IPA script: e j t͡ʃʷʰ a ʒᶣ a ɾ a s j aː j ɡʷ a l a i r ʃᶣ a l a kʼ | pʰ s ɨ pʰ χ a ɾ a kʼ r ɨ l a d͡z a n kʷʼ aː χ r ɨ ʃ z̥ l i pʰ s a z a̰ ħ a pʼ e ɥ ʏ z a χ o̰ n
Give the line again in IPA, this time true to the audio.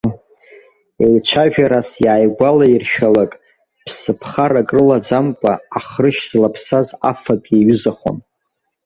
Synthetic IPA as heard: e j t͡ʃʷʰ a ʒᶣ a ɾ a s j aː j ɡʷ a l a i r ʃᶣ a l a kʼ | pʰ s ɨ pʰ χ a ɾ a kʼ r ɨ l a d͡z a m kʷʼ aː χ r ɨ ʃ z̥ l a pʰ s a z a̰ f a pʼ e ɥ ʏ z a χ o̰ n